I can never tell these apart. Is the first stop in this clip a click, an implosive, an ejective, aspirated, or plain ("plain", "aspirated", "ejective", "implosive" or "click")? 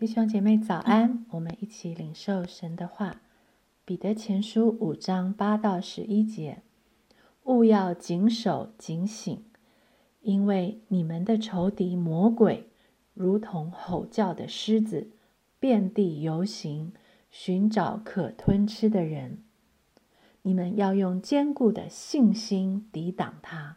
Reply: plain